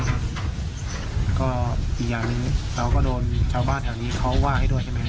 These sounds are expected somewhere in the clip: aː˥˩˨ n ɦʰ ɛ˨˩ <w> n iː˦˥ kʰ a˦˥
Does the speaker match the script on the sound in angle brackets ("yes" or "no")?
yes